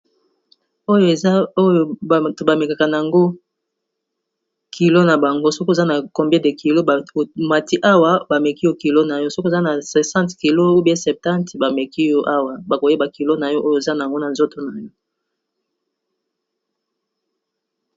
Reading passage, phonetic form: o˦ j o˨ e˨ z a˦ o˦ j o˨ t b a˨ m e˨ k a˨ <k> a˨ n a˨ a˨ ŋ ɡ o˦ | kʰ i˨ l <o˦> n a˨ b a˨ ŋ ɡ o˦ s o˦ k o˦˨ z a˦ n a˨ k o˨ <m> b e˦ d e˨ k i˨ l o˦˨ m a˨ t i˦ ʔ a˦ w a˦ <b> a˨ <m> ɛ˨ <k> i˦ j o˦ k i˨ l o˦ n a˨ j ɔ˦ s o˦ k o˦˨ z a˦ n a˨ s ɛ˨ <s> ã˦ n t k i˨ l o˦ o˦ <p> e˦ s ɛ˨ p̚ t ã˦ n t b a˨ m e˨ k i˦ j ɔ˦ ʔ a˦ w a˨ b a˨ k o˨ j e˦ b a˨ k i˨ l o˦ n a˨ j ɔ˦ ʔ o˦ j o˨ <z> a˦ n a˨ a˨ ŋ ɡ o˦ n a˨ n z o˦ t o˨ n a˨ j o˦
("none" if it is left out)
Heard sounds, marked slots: k, o˦, m, b, m, k, s, b, z

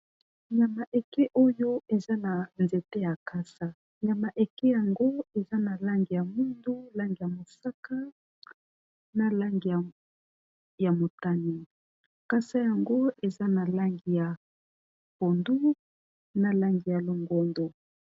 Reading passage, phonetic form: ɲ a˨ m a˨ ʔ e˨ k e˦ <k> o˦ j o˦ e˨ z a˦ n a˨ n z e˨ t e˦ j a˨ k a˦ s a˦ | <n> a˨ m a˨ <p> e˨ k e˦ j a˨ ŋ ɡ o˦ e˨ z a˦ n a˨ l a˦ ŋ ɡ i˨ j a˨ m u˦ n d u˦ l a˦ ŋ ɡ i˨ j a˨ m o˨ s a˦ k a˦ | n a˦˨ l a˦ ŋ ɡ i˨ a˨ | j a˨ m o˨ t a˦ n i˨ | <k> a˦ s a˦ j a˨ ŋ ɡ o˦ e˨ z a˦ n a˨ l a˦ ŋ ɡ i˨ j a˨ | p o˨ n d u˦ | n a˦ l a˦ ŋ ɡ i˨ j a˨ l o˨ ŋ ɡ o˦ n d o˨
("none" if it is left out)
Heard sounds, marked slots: ʔ, ɲ, ʔ, k

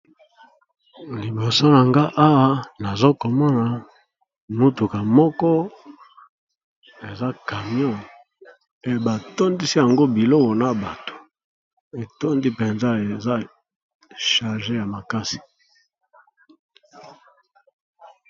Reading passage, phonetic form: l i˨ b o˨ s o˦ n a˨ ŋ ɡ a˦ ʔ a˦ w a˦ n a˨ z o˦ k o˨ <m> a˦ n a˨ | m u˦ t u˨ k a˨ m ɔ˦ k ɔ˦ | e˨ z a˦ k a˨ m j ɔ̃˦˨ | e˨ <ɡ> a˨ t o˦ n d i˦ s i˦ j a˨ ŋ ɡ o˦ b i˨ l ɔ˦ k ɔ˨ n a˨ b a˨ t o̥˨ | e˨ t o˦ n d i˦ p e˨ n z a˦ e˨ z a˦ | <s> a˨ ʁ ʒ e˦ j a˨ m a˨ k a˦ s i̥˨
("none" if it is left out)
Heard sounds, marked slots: m, b, ʃ

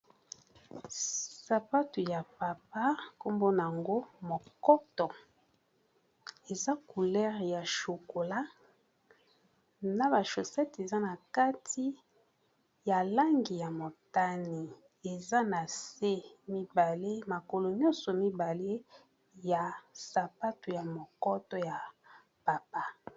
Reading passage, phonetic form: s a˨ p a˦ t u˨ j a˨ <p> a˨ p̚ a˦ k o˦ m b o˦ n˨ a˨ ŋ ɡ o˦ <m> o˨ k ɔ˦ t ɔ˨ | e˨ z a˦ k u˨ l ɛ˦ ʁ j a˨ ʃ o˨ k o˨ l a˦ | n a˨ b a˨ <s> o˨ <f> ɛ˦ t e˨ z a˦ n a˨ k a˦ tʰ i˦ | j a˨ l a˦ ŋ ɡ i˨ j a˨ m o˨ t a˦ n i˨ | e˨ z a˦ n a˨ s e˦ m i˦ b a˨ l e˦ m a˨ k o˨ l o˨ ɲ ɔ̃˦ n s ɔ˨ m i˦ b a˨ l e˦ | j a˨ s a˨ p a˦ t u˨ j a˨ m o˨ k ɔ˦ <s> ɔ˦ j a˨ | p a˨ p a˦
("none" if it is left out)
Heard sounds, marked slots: p, m, ʃ, s, t

